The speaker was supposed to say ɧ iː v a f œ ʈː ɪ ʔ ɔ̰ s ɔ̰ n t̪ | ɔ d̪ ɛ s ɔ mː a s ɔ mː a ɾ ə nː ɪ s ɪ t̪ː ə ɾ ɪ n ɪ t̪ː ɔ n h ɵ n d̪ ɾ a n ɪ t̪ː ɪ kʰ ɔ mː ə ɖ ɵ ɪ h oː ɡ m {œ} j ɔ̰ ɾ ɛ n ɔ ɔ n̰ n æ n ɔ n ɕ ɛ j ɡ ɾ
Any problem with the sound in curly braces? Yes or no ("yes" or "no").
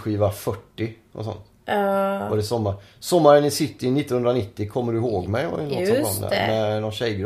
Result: yes